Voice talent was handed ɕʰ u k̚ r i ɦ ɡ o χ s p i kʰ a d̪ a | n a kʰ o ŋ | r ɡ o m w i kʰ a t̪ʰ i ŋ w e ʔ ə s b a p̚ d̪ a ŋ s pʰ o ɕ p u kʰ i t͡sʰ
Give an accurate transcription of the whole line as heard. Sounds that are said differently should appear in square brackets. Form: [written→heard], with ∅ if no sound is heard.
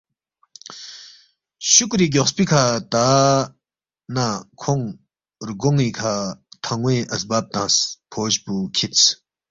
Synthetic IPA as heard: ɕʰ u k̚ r i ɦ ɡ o χ s p i kʰ a [d̪→t̪] a | n a kʰ o ŋ | r ɡ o [m→ŋ] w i kʰ a t̪ʰ [i→a] ŋ w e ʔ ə s b a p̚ [d̪→t̪] a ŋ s pʰ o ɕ p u kʰ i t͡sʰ